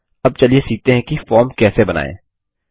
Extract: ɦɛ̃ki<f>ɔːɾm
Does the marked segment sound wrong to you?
no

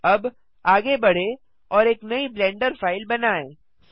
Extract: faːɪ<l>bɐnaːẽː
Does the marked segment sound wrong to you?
no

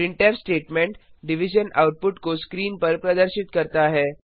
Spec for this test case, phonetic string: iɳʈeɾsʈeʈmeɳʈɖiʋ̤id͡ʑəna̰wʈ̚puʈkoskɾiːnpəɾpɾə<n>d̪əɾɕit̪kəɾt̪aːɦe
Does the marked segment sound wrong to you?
yes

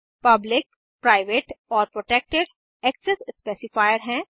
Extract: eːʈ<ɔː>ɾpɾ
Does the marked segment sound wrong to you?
no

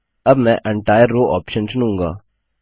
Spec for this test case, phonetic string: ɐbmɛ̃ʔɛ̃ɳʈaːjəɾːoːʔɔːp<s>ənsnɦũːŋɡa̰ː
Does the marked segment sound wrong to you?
yes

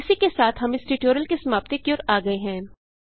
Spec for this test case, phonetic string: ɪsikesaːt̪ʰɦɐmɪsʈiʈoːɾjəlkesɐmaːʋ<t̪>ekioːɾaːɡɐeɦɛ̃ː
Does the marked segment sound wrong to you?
no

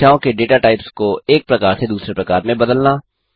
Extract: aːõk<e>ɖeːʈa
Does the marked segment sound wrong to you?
no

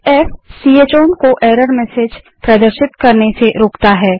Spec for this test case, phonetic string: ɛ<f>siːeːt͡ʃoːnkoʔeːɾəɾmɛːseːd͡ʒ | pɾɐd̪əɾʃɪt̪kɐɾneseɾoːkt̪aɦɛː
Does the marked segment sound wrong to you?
no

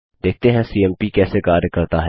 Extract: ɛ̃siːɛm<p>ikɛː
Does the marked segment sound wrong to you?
no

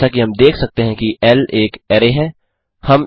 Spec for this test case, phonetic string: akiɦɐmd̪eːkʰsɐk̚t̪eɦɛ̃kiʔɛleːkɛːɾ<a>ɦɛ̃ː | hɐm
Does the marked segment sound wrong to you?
yes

